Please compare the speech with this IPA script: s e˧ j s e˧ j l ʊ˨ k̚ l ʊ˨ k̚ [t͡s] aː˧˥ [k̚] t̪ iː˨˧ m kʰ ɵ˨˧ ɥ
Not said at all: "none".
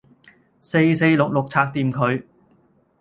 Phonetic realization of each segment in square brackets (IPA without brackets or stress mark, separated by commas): t͡sʰ, k̚